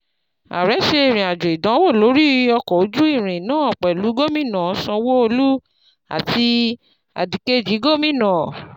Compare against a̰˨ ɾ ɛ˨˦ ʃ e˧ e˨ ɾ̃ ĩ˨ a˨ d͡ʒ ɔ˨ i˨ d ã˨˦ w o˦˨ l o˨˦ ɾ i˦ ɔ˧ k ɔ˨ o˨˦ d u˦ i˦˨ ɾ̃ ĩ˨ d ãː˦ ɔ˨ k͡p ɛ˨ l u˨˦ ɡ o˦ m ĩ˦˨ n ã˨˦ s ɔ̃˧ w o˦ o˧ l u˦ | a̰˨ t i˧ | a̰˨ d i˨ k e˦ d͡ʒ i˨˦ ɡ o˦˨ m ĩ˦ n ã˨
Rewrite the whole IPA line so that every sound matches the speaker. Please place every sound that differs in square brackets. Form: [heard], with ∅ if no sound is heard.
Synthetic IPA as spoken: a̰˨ ɾ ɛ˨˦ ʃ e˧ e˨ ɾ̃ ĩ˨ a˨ d͡ʒ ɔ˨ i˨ d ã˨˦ w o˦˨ l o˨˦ ɾ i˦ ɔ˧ k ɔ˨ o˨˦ [d͡ʒ] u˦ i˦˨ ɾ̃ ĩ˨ [n] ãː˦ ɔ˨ k͡p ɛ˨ l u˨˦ ɡ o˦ m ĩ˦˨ n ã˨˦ s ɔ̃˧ w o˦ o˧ l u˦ | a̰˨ t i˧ | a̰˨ d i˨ k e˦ d͡ʒ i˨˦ ɡ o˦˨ m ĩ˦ n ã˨